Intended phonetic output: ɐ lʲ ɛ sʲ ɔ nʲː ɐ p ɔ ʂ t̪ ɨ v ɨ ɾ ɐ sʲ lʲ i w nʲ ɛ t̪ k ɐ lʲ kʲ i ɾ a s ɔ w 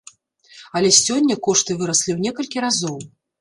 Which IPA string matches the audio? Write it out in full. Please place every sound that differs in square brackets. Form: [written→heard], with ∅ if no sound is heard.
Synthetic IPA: ɐ lʲ ɛ sʲ ɔ nʲː ɐ [p→k] ɔ ʂ t̪ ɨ v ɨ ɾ ɐ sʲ lʲ i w nʲ ɛ [t̪→∅] k ɐ lʲ kʲ i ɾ a [s→z] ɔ w